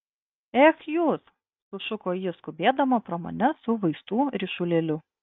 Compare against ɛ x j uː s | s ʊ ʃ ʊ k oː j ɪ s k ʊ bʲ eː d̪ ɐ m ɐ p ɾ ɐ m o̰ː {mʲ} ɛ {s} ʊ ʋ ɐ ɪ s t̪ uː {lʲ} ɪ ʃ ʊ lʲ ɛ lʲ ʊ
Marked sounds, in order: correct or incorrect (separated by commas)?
incorrect, correct, incorrect